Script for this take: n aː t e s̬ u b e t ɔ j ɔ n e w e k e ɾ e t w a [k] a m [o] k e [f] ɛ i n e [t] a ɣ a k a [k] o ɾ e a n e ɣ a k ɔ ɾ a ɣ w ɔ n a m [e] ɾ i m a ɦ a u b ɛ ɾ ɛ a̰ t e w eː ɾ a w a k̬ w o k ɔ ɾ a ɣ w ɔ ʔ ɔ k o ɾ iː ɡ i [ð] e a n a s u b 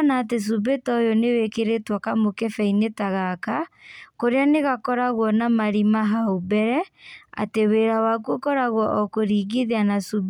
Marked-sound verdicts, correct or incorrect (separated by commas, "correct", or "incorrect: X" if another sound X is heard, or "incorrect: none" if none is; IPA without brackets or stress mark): correct, correct, correct, correct, correct, incorrect: a, correct